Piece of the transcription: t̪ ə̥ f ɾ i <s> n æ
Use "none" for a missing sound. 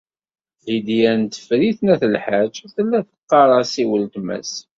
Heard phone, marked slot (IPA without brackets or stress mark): θ